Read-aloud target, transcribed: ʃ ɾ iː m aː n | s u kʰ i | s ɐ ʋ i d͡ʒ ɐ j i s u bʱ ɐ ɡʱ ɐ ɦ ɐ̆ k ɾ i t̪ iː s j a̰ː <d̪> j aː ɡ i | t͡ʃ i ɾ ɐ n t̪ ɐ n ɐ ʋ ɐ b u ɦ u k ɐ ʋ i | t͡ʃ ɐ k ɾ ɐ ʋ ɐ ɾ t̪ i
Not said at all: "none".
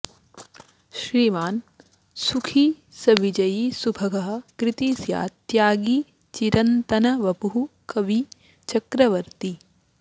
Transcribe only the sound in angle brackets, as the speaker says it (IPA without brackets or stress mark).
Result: t̪